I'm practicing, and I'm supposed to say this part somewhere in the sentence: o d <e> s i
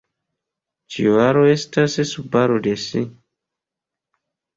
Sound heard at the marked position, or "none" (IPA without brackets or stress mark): e